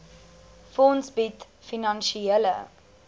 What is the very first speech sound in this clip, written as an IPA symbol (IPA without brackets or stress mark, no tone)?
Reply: f